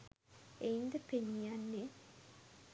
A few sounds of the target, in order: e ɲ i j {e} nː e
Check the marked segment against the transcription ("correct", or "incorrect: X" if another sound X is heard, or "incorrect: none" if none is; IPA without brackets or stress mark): incorrect: a